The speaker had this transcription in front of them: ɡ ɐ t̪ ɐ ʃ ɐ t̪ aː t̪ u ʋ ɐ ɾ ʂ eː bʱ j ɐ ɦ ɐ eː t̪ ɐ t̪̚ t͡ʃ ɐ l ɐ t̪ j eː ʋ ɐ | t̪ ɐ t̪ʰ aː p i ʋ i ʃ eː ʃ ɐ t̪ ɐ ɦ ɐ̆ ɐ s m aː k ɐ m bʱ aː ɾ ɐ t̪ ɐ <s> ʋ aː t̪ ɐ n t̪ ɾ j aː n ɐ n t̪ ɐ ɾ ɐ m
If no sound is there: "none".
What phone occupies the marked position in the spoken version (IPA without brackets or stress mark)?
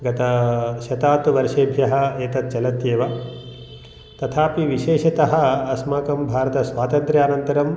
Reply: s